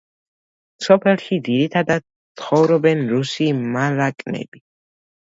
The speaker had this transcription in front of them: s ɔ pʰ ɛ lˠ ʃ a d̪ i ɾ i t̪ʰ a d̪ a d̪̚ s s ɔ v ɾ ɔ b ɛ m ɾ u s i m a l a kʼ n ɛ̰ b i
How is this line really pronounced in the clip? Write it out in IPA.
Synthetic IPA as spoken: s ɔ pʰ ɛ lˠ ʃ i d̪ i ɾ i t̪ʰ a d̪ a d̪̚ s χ ɔ v ɾ ɔ b ɛ n ɾ u s i m a l a kʼ n ɛ̰ b i

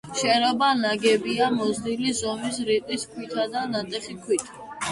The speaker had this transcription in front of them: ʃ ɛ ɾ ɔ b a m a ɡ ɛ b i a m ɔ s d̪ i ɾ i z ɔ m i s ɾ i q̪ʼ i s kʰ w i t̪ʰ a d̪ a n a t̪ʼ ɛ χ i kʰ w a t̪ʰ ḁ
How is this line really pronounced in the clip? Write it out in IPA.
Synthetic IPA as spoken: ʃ ɛ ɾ ɔ b a n a ɡ ɛ b i a m ɔ z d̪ i l i z ɔ m i s ɾ i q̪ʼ i s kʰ w i t̪ʰ a d̪ a n a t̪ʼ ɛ χ i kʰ w i t̪ʰ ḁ

